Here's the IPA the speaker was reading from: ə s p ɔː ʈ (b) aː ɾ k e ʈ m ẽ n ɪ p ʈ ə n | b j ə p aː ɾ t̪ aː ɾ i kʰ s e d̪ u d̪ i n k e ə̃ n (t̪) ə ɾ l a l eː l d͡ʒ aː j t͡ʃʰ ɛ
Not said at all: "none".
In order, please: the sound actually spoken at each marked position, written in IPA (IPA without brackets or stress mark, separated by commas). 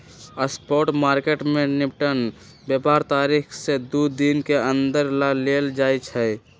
m, d̪